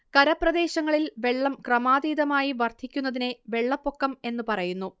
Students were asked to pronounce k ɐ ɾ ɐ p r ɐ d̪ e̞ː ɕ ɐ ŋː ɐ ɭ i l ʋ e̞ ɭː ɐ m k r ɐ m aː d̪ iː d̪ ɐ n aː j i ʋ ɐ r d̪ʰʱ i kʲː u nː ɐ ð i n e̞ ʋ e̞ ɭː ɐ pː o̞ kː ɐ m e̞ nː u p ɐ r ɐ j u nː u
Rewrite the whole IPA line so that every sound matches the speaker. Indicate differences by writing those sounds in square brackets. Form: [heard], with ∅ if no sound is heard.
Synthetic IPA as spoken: k ɐ ɾ ɐ p r ɐ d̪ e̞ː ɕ ɐ ŋː ɐ ɭ i l ʋ e̞ ɭː ɐ m k r ɐ m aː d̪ iː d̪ ɐ [m] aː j i ʋ ɐ r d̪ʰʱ i kʲː u nː ɐ ð i n e̞ ʋ e̞ ɭː ɐ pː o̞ kː ɐ m e̞ nː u p ɐ r ɐ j u nː u